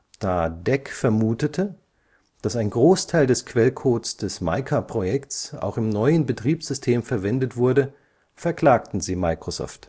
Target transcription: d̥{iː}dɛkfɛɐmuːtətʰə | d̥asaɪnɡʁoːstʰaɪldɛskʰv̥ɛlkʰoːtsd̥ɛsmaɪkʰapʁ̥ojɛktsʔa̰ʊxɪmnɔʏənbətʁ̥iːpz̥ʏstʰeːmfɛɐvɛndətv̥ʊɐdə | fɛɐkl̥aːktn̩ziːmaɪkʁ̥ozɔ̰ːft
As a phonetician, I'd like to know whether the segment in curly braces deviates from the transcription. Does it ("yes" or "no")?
yes